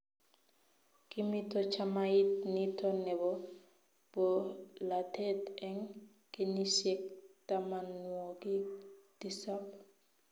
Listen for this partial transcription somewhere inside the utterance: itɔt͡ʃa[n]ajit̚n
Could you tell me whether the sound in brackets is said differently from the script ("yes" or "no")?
yes